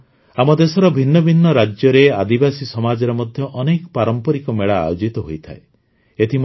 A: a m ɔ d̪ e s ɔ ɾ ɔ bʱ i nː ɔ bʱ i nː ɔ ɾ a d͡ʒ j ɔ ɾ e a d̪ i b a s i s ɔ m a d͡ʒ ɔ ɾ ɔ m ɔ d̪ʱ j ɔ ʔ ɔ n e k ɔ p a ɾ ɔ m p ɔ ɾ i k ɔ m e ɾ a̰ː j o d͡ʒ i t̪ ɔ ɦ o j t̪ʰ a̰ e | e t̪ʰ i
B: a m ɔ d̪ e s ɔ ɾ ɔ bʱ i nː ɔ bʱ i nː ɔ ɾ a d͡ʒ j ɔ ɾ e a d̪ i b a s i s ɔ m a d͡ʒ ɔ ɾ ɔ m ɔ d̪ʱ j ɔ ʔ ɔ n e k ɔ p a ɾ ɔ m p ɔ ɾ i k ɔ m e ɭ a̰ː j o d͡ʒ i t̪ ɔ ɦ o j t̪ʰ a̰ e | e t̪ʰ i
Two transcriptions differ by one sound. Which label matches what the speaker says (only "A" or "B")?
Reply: B